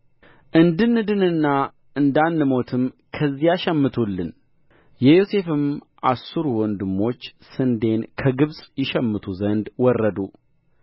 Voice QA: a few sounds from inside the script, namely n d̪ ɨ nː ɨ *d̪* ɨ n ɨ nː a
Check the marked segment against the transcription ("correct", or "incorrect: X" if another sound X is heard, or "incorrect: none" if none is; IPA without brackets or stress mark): correct